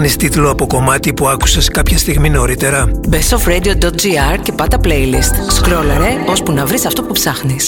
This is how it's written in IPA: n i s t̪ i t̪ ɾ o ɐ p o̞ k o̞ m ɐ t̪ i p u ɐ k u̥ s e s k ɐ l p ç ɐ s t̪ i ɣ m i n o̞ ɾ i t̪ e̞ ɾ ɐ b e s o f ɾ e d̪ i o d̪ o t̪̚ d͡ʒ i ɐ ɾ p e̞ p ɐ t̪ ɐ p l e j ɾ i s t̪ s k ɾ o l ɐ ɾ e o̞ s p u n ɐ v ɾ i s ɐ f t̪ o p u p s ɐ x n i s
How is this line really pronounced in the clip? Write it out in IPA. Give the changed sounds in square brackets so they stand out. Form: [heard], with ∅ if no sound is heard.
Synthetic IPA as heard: n i s t̪ i t̪ [l] o ɐ p o̞ k o̞ m ɐ t̪ i p u ɐ k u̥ s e s k ɐ [∅] p ç ɐ s t̪ i ɣ m i n o̞ ɾ i t̪ e̞ ɾ ɐ b e s o f ɾ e d̪ i o d̪ o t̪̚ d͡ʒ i ɐ ɾ [c] e̞ p ɐ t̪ ɐ p l e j [l] i s t̪ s k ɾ o l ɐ ɾ e o̞ s p u n ɐ v ɾ i s ɐ f t̪ o p u p s ɐ x n i s